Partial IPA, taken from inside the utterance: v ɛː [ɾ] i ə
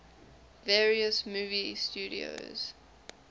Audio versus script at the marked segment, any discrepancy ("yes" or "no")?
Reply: yes